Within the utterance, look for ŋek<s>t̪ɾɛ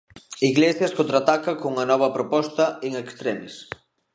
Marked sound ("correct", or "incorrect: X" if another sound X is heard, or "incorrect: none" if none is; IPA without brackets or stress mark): correct